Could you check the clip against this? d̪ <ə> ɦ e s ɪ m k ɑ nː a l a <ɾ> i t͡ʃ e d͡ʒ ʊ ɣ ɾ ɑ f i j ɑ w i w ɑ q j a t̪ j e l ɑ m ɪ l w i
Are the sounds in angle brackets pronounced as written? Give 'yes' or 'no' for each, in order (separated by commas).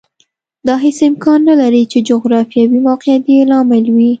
no, yes